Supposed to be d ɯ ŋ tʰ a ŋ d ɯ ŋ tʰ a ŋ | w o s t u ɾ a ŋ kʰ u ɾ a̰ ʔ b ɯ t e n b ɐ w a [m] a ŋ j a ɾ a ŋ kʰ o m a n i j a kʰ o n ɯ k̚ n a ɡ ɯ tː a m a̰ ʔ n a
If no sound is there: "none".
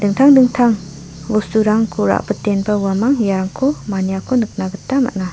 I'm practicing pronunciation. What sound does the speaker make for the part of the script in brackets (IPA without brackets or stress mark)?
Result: m